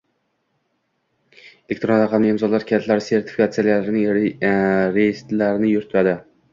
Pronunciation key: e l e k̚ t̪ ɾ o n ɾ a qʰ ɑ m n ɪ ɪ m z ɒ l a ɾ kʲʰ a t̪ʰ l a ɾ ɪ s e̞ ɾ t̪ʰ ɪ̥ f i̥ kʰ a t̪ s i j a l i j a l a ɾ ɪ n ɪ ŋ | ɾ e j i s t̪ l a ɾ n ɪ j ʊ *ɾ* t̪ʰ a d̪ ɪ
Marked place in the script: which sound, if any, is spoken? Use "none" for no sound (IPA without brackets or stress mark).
ɾ